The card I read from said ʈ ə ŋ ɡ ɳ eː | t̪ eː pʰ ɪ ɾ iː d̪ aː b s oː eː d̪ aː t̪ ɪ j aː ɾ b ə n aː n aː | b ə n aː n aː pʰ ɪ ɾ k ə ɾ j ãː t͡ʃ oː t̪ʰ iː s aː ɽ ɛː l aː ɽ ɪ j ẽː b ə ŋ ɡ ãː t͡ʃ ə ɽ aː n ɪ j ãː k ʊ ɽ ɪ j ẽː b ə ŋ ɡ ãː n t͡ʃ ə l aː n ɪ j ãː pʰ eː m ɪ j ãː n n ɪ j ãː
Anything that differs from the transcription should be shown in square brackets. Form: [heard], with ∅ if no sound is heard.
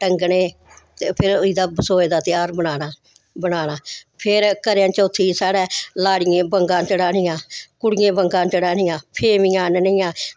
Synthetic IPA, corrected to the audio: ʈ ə ŋ ɡ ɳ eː | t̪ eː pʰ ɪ ɾ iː d̪ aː b s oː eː d̪ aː t̪ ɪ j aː ɾ b ə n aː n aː | b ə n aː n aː pʰ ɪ ɾ k ə ɾ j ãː t͡ʃ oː t̪ʰ iː s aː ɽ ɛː l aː ɽ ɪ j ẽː b ə ŋ ɡ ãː t͡ʃ ə ɽ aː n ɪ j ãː k ʊ ɽ ɪ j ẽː b ə ŋ ɡ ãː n t͡ʃ ə [ɽ] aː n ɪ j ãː pʰ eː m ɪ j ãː n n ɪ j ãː